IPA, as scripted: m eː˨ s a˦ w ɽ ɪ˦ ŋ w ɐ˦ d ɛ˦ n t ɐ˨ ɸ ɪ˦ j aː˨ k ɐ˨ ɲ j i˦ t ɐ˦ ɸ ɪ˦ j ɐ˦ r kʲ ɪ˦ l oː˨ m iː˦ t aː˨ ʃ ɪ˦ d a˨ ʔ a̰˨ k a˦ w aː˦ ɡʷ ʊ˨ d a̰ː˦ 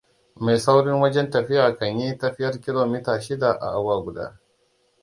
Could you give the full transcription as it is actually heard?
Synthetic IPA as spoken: m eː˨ s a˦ w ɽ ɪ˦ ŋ w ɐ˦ d͡ʒ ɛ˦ n t ɐ˨ ɸ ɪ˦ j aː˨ k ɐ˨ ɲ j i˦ t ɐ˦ ɸ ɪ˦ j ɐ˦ r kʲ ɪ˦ l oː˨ m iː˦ t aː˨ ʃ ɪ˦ d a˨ ʔ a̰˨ ʔ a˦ w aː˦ ɡʷ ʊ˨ d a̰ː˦